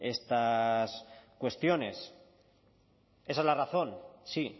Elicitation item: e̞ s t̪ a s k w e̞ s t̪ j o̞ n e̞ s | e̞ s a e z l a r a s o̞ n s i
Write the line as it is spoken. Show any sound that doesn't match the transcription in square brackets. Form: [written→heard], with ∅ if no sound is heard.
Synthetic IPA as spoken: e̞ s t̪ a s k w e̞ s t̪ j o̞ n e̞ s | e̞ s a e z l a r a [s→θ] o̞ n s i